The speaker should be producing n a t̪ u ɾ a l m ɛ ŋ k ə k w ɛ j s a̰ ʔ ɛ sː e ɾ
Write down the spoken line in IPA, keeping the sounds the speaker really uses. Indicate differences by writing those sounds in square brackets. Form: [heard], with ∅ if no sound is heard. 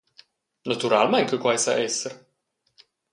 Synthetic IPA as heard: n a t̪ u ɾ a l m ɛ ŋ k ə k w [a] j s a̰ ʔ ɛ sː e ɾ

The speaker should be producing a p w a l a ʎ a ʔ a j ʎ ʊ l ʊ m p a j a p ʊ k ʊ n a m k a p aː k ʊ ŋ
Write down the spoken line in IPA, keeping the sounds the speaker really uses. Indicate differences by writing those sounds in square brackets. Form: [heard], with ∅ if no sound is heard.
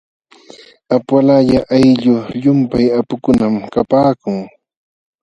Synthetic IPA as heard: a p w a l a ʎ a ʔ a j ʎ ʊ [ʎ] ʊ m p a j a p ʊ k ʊ n a m k a p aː k ʊ ŋ

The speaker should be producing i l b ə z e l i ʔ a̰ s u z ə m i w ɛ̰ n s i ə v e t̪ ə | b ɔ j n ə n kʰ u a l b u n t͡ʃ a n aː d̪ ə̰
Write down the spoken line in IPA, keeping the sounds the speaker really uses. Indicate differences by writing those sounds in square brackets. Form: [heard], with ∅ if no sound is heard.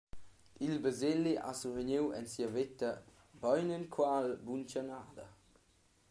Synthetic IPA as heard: i l b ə z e l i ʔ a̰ s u [v] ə [ɲ] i w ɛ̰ n s i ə v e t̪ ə | b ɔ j n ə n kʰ [w] a l b u n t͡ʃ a n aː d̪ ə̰

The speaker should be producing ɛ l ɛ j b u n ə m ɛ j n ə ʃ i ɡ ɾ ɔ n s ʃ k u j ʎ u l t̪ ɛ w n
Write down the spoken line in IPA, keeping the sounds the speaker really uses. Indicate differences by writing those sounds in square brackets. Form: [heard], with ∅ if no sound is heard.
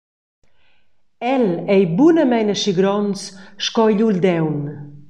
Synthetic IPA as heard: ɛ l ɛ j b u n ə m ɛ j n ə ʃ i ɡ ɾ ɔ n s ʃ k [ɔ] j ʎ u l [d̪] ɛ w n

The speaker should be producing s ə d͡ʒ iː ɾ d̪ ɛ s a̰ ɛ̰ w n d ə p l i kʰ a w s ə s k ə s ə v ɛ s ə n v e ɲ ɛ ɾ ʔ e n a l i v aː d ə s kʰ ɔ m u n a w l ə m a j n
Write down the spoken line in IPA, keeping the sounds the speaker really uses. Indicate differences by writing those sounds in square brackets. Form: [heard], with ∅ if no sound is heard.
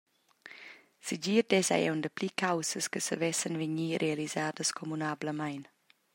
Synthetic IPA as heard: s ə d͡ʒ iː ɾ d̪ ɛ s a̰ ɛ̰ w n d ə p l i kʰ a w s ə s k ə s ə v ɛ s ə n v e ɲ [i] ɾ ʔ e [∅] a l i [z] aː d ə s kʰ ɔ m u n a [b] l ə m a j n

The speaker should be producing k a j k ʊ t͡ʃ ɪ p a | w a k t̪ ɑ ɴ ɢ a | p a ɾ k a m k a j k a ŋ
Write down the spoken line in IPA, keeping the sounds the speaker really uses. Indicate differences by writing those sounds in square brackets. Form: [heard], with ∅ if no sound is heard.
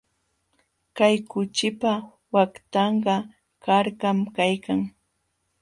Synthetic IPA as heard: k a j k ʊ t͡ʃ ɪ p a | w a k t̪ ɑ ɴ ɢ [ɑ] | [k] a ɾ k a m k a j k a ŋ

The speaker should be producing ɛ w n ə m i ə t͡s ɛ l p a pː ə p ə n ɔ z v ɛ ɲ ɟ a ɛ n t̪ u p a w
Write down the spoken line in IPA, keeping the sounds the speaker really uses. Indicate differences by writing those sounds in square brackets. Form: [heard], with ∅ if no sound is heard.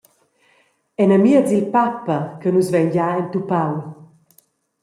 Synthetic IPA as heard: ɛ [∅] n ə m i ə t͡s [i] l p a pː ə [k] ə n [u] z v ɛ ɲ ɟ a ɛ n t̪ u p a w

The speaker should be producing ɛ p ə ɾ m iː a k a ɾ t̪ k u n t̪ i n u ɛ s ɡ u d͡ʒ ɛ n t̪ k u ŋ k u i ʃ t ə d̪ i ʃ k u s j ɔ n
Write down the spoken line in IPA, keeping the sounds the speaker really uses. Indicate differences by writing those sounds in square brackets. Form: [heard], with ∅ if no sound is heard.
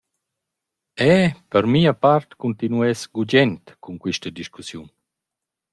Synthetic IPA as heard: ɛ p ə ɾ m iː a [p] a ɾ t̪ k u n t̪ i n u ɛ s ɡ u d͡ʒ ɛ n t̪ k u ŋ k [w] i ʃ t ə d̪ i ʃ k u s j [u] n

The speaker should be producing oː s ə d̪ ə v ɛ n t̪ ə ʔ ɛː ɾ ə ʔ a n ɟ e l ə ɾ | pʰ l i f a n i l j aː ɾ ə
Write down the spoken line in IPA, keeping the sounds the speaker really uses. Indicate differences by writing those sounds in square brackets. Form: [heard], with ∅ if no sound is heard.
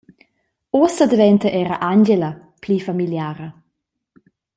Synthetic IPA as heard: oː s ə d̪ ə v ɛ n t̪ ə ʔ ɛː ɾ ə ʔ a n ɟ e l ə [∅] | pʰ l i f a [m] i l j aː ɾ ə

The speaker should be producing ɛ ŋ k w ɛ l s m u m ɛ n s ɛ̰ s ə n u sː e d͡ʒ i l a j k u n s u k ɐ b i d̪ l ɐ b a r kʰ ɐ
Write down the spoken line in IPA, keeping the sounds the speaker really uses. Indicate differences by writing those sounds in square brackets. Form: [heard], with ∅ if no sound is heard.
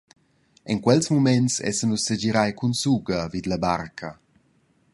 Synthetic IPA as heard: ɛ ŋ k w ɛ l s m u m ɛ n s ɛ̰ s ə n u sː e d͡ʒ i [ɾ] a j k u n s u [ɡ] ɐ [v] i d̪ l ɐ b a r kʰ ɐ

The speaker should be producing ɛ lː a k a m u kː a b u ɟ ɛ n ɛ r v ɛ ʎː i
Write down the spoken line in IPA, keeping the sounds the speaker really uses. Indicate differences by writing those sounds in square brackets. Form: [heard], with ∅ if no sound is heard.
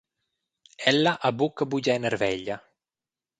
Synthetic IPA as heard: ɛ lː a [ʔ] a [b] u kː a b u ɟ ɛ n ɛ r v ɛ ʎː [a]

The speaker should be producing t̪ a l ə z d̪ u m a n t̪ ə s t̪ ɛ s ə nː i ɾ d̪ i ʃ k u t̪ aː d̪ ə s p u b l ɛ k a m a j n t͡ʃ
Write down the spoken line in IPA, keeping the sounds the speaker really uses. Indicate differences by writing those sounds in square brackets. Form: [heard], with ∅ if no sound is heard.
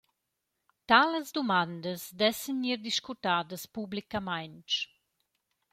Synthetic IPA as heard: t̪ a l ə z d̪ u m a n [d̪] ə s [d̪] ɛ s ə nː i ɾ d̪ i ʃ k u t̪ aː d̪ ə s p u b l [i] k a m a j n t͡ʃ

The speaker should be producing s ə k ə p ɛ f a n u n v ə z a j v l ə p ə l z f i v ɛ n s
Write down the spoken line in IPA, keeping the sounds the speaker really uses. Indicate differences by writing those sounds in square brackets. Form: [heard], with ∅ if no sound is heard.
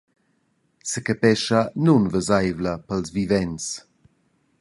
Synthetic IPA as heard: s ə k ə p ɛ [ʃ] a n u n v ə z a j v l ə p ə l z [v] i v ɛ n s

